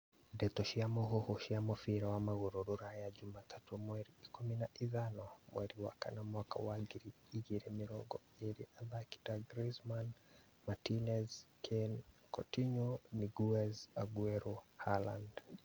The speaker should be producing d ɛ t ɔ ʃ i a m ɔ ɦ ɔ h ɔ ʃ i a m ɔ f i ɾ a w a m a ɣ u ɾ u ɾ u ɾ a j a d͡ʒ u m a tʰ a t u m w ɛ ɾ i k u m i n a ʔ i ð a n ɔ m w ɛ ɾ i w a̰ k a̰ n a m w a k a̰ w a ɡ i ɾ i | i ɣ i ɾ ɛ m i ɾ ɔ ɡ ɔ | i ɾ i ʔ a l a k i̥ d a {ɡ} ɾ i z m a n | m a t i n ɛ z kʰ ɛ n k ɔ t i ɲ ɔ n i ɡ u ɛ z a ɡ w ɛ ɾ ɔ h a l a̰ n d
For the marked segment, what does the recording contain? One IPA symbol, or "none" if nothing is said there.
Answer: ɡ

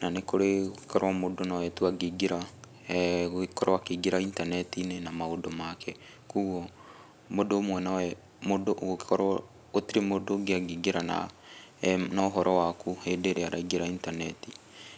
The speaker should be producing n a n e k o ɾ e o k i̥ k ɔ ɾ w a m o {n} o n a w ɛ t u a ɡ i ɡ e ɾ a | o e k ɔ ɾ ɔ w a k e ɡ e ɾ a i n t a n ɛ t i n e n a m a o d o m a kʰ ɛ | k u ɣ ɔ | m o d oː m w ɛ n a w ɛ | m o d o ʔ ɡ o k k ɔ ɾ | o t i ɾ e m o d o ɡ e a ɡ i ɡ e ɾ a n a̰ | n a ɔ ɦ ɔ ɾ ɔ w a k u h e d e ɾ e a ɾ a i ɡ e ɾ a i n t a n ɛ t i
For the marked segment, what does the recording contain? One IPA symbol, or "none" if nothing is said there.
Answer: d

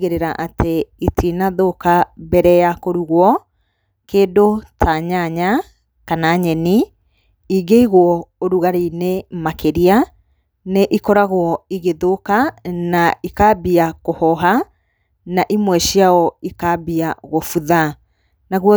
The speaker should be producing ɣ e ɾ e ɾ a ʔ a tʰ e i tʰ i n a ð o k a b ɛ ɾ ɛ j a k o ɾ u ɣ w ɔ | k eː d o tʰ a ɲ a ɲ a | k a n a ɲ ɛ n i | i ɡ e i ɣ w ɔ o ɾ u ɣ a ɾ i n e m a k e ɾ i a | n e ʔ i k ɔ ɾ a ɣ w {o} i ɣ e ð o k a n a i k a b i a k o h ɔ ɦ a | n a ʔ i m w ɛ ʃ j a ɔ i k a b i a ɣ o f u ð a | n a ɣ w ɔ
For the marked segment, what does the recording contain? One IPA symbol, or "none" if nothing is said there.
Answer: ɔ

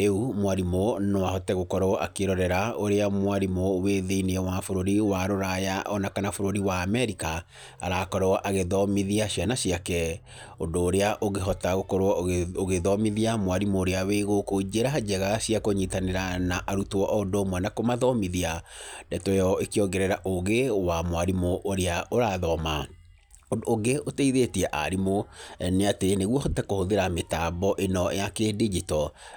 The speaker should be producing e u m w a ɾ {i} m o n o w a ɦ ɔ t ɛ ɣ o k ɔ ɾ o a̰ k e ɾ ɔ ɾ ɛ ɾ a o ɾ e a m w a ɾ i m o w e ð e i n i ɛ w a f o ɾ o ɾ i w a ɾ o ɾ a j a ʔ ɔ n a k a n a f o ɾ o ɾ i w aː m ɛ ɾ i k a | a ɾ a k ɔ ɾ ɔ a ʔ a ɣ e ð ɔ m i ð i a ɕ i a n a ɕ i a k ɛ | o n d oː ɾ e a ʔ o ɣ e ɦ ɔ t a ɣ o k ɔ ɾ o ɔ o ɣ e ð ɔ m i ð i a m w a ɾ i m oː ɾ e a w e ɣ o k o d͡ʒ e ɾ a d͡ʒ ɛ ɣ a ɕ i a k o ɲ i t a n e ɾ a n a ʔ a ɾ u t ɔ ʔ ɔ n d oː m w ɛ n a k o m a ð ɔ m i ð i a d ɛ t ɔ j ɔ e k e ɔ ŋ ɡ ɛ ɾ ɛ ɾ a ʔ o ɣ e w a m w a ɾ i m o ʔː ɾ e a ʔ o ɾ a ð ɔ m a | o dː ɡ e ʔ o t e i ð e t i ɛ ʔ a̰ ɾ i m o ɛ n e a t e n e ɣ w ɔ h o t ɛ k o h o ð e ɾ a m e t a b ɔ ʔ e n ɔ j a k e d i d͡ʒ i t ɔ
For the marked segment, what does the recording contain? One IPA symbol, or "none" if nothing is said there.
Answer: i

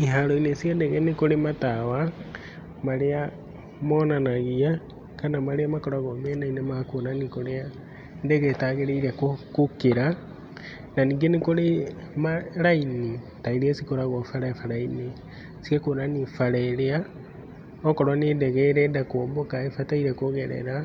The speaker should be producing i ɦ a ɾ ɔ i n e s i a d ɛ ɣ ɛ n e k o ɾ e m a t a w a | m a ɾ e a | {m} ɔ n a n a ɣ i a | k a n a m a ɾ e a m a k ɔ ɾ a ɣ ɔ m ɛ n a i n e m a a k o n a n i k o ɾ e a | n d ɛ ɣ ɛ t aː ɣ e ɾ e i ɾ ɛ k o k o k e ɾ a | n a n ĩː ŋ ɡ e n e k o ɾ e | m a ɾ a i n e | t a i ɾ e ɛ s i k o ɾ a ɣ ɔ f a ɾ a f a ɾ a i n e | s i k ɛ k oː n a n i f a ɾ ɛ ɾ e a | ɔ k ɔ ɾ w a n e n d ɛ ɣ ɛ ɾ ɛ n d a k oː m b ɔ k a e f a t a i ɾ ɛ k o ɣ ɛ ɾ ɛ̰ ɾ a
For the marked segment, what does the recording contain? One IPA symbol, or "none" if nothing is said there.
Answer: m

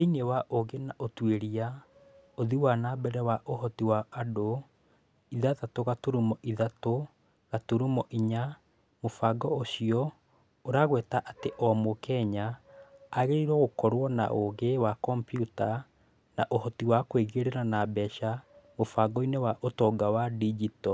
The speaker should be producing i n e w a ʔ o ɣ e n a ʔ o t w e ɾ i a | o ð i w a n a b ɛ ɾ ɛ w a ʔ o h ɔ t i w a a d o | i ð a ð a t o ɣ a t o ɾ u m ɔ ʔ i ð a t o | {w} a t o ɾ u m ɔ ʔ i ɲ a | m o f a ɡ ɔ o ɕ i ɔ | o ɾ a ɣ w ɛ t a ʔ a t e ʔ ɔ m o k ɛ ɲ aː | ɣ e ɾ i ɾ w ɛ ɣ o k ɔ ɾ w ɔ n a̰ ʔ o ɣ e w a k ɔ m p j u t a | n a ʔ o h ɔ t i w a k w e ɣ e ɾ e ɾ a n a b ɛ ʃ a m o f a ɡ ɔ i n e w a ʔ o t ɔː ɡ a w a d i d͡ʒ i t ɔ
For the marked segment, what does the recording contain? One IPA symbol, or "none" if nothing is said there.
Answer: ɣ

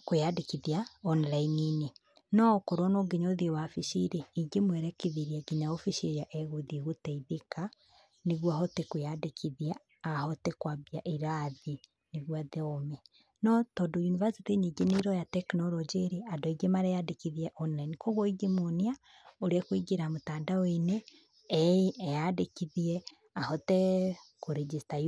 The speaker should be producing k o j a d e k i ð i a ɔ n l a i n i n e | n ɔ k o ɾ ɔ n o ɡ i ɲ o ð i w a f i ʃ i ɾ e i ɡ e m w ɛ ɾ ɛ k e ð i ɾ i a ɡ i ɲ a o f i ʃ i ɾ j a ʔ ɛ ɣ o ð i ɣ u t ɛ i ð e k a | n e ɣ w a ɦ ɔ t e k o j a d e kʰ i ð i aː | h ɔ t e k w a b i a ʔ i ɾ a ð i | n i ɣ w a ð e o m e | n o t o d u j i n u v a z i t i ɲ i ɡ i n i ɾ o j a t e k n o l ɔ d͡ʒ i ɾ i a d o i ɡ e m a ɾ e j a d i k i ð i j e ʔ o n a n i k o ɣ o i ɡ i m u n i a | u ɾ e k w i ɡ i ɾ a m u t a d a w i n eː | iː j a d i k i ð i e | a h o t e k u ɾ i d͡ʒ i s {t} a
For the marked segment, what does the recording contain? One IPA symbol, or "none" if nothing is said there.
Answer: t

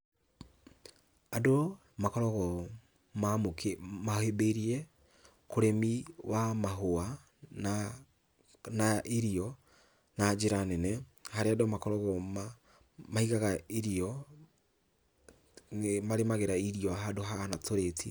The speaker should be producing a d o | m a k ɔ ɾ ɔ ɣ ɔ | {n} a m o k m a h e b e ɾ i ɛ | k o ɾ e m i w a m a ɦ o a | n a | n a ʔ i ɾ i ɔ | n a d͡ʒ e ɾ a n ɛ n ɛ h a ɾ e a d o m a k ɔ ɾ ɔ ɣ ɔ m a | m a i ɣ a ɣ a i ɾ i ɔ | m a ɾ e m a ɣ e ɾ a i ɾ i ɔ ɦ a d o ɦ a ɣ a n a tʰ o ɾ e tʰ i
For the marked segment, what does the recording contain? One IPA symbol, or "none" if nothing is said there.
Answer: m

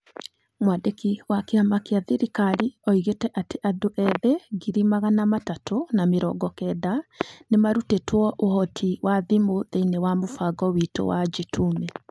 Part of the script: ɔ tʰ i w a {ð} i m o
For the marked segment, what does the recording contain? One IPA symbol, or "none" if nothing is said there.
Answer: ð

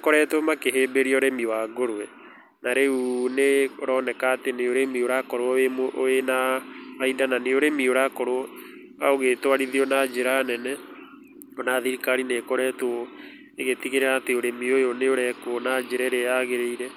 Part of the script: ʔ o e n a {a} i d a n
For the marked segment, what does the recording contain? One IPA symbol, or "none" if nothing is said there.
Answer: a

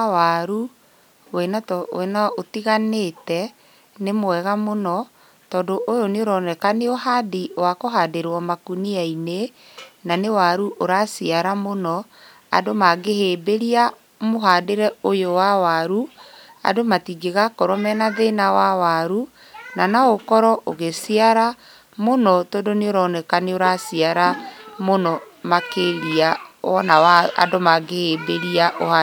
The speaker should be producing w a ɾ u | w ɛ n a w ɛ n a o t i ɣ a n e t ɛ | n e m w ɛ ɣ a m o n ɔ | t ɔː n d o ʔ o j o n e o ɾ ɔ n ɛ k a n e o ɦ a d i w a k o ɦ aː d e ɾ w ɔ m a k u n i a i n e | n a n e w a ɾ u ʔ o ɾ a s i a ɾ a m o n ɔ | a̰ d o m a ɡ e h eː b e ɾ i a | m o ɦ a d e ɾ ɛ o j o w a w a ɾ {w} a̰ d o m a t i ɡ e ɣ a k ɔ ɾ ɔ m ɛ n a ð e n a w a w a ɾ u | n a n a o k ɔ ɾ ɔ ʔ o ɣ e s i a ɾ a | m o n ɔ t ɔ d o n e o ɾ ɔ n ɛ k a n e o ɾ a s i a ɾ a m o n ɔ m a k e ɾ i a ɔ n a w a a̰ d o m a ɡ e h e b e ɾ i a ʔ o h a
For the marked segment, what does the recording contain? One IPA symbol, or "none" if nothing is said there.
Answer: u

